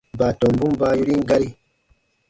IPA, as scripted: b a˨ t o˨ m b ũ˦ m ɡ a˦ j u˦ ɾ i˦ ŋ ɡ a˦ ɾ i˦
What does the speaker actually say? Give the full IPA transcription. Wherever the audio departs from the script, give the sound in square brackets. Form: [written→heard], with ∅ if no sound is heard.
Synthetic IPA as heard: b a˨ t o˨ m b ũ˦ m [ɡ→b] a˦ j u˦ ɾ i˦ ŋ ɡ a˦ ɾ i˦